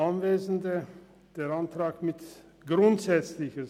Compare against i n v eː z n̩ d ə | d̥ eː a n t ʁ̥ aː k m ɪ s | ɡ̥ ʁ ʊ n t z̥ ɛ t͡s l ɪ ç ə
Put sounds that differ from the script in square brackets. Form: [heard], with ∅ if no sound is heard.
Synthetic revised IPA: [a] n v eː z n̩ d ə | d̥ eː a n t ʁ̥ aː k m ɪ [t] | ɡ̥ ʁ ʊ n t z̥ ɛ t͡s l ɪ ç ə